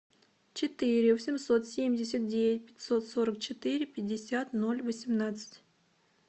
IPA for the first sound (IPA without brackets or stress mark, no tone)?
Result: t͡ɕ